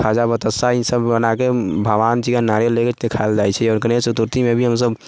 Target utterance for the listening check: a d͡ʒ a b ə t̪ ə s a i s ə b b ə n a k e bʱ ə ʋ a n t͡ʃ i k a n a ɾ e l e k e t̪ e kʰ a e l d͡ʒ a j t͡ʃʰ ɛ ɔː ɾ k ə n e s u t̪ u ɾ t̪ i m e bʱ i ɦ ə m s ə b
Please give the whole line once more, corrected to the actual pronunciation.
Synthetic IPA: a d͡ʒ a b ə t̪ ə s a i s ə b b ə n a k e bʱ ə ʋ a n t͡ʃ i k a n a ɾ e l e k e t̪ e kʰ a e l d͡ʒ a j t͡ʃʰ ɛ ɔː ɾ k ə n e s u t̪ u ɾ t̪ i m e bʱ i ɦ ə m s ə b